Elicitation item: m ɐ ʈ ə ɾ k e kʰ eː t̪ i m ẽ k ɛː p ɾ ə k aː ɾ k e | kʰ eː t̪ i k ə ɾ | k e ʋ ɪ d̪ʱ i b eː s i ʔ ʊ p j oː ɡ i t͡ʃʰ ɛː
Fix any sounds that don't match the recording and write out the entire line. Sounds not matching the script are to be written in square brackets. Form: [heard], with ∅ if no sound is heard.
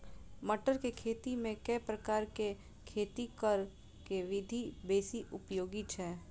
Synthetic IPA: m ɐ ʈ ə ɾ k e kʰ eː t̪ i m ẽ k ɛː p ɾ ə k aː ɾ k e | kʰ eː t̪ i k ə ɾ | k e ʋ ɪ d̪ʱ i b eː s i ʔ ʊ p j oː ɡ i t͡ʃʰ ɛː